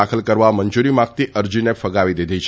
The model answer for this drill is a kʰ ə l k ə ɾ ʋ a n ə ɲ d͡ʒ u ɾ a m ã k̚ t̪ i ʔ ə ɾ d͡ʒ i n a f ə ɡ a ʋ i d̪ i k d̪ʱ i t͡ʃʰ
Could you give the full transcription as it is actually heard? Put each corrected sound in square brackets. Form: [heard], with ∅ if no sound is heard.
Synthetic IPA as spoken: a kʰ ə l k ə ɾ ʋ a [m] ə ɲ d͡ʒ u ɾ [i] m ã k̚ t̪ i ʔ ə ɾ d͡ʒ i n [e] f ə ɡ a ʋ i d̪ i [∅] d̪ʱ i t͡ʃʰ